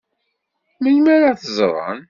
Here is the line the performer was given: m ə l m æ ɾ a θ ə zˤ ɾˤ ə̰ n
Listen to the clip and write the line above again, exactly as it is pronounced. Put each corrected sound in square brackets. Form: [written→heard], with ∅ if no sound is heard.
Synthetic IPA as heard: m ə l m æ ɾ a θ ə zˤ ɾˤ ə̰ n